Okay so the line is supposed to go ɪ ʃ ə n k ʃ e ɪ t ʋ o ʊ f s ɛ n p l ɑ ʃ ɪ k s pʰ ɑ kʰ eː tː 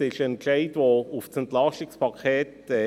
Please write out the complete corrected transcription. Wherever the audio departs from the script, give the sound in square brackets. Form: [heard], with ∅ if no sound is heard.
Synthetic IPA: ɪ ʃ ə n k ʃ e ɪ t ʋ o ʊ f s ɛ n [t] l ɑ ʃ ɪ k s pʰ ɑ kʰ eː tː